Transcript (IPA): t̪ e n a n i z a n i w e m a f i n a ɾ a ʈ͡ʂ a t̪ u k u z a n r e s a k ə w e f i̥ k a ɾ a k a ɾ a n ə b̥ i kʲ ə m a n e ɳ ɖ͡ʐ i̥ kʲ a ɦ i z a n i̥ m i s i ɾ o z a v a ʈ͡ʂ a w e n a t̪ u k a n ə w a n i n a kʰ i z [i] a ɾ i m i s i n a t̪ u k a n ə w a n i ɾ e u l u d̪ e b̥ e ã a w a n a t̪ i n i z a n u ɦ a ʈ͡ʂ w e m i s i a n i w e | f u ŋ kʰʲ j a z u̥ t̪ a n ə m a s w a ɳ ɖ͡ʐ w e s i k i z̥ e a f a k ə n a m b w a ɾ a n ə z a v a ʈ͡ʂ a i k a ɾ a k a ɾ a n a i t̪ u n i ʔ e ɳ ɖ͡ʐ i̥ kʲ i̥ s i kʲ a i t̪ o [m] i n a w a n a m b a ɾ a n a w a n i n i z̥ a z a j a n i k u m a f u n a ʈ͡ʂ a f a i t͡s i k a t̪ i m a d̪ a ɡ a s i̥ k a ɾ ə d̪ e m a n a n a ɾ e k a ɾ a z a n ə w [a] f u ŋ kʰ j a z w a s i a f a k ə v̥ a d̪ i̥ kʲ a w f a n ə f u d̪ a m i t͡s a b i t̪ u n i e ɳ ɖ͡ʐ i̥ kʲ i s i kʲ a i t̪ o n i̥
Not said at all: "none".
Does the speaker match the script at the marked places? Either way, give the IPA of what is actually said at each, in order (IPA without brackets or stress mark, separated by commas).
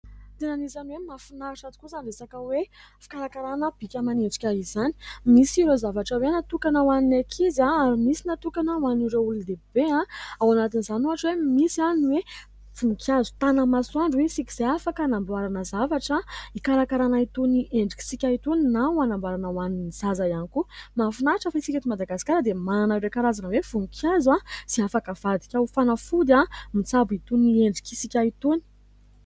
a, n, e